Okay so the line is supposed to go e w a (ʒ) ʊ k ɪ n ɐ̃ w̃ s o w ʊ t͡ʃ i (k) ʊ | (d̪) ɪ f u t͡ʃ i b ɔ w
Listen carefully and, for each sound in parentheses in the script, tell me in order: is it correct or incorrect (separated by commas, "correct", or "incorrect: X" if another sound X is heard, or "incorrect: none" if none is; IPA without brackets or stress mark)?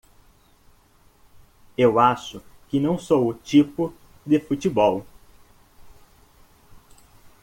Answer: incorrect: ʃ, incorrect: p, correct